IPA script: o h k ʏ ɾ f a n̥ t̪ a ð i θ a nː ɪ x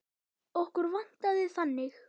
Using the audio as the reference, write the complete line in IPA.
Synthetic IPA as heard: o h k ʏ ɾ v a n̥ t̪ a ð ɪ θ a nː ɪ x